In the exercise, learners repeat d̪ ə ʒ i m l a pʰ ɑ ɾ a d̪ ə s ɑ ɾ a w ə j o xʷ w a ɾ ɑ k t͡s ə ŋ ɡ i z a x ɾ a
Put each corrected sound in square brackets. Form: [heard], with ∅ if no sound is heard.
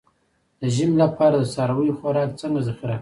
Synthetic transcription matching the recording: d̪ ə ʒ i m l a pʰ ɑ ɾ a d̪ ə s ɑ ɾ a w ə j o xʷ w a ɾ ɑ k t͡s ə ŋ ɡ [a] z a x ɾ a